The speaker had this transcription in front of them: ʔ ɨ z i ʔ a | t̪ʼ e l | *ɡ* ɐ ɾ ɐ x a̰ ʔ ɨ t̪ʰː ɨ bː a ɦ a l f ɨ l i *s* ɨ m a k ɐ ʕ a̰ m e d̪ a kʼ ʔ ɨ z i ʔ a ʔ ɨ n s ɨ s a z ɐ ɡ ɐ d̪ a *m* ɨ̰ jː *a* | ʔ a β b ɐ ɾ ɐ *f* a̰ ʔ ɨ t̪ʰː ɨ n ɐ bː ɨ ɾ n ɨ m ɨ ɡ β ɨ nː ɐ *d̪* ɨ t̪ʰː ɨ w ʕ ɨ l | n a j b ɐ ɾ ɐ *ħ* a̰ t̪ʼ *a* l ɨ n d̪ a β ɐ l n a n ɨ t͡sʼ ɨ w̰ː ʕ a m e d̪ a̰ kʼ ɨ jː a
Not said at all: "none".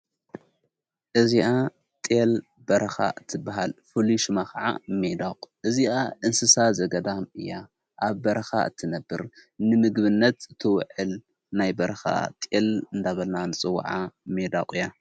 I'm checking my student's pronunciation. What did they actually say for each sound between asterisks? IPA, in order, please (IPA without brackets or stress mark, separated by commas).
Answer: b, ʃ, m, a, x, t̪, x, e